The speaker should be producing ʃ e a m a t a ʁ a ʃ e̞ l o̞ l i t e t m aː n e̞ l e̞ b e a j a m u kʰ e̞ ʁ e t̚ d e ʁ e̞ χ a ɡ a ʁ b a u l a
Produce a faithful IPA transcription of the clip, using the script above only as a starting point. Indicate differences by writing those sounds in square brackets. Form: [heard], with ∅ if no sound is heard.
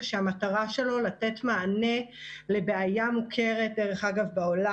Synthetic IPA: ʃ e a m a t a ʁ a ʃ e̞ l o̞ l [a] t e t m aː n e̞ l e̞ b e a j a m u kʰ e̞ ʁ e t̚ d e ʁ e̞ χ a ɡ a [v] b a [o] l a